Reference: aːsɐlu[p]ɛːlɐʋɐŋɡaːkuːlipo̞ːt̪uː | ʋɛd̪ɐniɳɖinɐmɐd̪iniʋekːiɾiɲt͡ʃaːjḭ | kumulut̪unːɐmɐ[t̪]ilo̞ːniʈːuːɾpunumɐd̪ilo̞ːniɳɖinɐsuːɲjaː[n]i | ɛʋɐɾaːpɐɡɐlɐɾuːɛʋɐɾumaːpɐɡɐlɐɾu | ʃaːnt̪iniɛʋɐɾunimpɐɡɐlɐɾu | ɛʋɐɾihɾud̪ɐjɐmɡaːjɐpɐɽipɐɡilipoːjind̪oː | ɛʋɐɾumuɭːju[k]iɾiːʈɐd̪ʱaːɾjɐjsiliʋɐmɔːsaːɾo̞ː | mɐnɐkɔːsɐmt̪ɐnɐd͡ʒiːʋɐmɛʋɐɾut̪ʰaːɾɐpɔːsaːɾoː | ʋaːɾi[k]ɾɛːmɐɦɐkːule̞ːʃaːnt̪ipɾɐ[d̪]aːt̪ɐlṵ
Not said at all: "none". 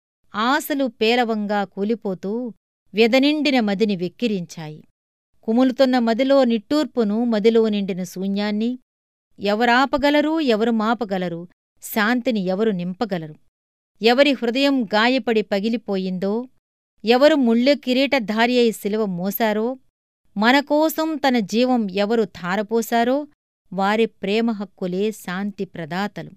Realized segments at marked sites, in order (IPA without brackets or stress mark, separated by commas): p, d̪, nː, k, p, d̪